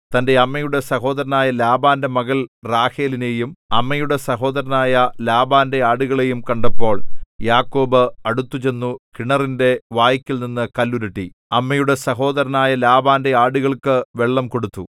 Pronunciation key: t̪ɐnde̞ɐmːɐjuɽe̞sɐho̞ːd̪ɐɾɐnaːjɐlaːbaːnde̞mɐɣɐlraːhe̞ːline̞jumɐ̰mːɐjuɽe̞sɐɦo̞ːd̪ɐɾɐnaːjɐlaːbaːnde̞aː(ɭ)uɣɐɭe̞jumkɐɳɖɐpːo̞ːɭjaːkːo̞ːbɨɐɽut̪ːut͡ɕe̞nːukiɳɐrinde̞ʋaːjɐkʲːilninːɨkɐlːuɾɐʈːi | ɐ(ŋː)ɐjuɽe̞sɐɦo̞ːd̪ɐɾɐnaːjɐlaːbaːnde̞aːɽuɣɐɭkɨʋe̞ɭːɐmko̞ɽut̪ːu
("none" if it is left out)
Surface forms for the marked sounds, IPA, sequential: ɽ, mː

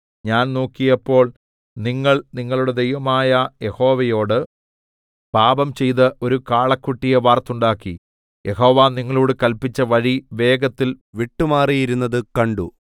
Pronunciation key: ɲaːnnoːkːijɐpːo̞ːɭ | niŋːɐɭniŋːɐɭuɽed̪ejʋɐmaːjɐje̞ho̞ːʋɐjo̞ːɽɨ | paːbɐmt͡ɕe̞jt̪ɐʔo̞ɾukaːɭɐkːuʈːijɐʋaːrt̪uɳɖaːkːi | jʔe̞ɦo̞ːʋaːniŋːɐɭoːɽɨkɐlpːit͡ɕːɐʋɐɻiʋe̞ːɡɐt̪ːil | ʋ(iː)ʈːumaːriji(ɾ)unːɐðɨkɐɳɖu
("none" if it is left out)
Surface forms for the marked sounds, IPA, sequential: i, ɾ

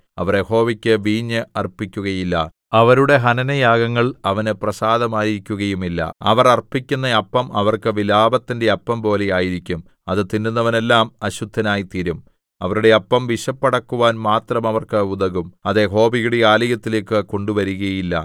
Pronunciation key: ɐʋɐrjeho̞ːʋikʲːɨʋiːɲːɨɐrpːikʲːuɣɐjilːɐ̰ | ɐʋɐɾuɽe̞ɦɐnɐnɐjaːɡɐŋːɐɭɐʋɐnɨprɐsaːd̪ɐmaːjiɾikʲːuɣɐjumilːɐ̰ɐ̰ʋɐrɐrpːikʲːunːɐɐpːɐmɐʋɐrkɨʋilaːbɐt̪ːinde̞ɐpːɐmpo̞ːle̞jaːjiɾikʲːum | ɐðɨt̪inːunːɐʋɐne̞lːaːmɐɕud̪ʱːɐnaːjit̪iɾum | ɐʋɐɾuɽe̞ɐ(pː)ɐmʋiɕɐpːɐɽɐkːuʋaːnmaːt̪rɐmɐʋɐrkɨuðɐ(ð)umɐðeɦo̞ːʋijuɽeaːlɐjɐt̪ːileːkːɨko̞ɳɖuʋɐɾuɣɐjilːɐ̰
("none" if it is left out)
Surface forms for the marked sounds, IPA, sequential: pː, ɣ

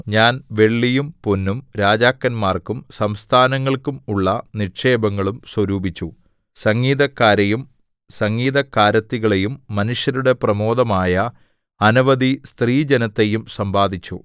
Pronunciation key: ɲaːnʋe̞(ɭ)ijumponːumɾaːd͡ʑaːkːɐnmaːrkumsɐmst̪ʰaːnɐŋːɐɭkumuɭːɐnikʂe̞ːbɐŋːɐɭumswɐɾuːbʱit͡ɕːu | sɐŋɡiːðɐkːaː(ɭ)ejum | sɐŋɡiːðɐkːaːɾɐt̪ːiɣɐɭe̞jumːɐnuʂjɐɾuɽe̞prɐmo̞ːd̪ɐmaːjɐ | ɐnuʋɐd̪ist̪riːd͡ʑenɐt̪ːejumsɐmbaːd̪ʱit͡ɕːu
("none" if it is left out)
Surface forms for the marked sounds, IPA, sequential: ɭː, ɾ

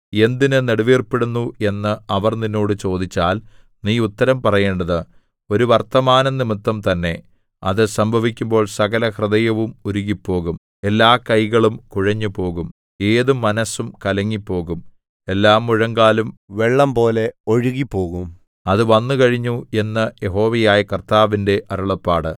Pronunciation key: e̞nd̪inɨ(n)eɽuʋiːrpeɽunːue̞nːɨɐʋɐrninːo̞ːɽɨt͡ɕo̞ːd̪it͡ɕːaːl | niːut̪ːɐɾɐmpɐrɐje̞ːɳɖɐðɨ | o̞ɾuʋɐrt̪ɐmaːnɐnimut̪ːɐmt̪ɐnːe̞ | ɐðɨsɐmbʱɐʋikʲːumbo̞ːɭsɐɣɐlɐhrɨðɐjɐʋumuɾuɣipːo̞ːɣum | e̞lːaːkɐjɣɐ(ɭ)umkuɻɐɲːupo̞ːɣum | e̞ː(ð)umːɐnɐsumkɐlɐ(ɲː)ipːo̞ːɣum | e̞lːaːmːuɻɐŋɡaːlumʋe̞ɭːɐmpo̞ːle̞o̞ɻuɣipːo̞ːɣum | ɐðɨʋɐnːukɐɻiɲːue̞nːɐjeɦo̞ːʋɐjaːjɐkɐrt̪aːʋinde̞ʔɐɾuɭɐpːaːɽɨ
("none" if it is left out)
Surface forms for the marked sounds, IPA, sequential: n, ɭ, ð, ŋː

